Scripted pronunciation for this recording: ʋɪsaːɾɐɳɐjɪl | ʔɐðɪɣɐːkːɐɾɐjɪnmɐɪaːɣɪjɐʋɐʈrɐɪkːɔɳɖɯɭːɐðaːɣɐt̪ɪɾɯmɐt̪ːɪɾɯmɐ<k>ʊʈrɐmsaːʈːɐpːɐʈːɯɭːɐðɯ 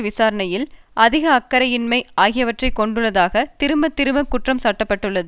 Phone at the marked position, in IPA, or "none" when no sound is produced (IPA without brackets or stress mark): k